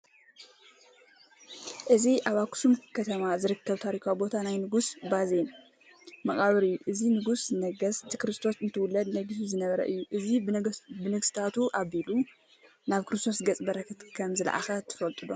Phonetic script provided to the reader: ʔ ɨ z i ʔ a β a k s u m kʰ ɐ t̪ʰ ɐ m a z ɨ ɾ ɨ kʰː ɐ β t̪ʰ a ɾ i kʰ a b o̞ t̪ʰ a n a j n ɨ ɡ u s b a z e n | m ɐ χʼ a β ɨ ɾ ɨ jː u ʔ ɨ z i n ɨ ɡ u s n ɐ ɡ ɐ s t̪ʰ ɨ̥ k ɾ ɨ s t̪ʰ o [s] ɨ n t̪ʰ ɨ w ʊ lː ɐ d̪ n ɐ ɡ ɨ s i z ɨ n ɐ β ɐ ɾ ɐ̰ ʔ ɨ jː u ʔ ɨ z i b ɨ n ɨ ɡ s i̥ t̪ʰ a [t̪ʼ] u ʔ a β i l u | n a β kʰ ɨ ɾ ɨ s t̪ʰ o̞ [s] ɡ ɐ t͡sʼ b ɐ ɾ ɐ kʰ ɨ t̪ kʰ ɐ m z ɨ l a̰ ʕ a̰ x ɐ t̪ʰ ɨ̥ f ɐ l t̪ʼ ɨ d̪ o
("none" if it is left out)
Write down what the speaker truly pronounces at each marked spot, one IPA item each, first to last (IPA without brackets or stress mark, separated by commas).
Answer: s, t̪, s